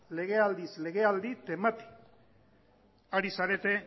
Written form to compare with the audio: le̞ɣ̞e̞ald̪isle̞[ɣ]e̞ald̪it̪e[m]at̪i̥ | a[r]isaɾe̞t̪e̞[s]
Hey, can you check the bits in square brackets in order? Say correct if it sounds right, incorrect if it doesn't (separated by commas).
correct, correct, incorrect, incorrect